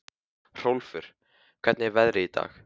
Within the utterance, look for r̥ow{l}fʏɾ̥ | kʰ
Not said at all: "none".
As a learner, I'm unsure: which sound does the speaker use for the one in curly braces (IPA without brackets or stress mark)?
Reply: l